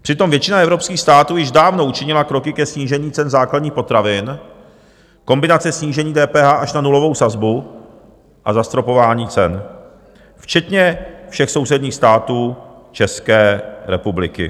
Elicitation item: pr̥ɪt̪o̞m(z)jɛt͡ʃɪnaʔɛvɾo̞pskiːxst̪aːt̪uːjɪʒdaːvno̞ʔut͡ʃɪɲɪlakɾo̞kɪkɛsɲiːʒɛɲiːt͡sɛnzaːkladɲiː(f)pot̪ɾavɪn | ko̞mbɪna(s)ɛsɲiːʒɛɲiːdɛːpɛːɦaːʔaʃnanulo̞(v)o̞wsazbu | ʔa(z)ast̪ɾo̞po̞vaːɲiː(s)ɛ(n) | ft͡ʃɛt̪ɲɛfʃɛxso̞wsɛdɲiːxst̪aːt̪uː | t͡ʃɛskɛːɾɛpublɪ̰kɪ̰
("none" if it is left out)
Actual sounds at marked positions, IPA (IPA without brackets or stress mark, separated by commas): v, x, t͡s, v, z, t͡s, n